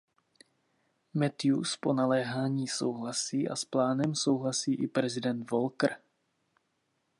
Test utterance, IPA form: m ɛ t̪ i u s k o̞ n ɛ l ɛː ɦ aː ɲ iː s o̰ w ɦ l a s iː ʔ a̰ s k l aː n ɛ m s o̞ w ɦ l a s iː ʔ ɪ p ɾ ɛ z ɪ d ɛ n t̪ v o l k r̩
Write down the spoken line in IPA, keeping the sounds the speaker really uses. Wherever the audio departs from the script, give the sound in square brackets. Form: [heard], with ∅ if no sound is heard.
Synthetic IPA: m ɛ t̪ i u s [p] o̞ n [a] l ɛː ɦ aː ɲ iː s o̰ w ɦ l a s iː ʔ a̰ s [p] l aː n ɛ m s o̞ w ɦ l a s iː ʔ ɪ p ɾ ɛ z ɪ d ɛ n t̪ v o l k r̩